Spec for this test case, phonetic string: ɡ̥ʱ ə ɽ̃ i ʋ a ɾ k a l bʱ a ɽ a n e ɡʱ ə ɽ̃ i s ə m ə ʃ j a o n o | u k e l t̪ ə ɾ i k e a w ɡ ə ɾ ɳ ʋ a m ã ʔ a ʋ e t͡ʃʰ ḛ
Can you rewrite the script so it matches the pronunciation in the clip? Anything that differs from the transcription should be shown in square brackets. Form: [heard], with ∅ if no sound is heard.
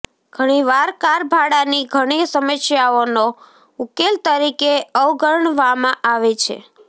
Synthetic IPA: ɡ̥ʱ ə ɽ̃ i ʋ a ɾ k a [ɾ] bʱ a ɽ a n [i] ɡʱ ə ɽ̃ i s ə m ə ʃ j a o n o | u k e l t̪ ə ɾ i k e [ə] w ɡ ə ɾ ɳ ʋ a m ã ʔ a ʋ e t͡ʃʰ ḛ